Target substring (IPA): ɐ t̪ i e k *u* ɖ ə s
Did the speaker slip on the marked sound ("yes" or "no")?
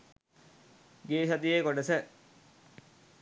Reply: yes